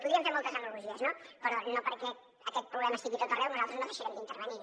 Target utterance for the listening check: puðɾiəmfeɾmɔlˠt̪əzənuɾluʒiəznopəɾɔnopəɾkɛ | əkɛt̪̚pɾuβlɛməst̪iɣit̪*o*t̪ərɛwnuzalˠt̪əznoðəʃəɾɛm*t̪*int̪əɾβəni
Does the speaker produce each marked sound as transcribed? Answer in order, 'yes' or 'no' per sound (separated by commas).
yes, no